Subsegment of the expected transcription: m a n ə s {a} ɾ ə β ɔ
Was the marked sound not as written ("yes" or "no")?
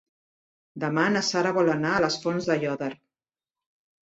no